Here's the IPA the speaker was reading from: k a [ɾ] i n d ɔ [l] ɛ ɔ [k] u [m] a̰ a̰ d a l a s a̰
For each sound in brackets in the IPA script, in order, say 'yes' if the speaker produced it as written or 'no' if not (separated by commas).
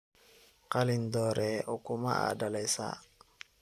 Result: no, no, yes, yes